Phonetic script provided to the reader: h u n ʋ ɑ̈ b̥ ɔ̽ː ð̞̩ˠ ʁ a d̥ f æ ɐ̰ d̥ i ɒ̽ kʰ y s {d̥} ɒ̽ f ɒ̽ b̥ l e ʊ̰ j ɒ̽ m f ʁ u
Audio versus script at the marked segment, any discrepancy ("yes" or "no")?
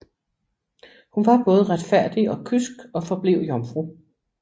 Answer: yes